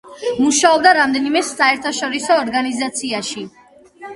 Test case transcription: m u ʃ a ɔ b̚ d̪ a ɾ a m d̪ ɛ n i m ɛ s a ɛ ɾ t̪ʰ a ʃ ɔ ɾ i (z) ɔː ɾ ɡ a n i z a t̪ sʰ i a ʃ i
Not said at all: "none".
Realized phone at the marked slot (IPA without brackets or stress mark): s